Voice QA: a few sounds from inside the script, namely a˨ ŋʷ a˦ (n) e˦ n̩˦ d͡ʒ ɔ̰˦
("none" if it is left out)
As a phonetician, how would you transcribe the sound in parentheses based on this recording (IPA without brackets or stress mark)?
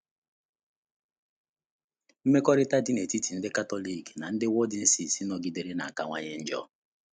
ɲ